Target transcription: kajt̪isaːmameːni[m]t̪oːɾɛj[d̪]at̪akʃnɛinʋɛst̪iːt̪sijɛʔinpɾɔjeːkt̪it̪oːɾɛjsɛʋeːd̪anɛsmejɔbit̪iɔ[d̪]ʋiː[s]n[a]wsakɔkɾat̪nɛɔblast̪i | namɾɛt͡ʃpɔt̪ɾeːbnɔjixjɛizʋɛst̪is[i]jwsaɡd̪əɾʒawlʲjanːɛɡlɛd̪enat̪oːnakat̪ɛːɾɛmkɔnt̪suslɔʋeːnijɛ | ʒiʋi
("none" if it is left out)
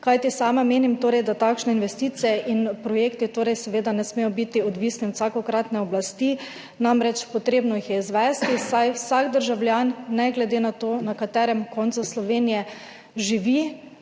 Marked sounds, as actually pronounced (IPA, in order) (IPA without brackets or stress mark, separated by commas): m, d̪, d̪, s, i, a